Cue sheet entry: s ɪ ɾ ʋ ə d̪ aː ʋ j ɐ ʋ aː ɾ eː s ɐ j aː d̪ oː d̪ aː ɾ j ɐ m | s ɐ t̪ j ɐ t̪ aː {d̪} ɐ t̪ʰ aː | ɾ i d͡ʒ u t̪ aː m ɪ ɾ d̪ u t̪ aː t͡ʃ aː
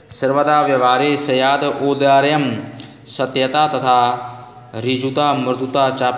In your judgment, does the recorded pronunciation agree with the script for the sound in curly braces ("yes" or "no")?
no